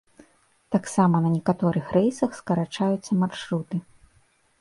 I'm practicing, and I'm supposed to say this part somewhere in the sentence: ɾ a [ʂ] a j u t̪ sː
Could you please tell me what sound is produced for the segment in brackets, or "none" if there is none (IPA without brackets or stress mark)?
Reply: t͡ʂ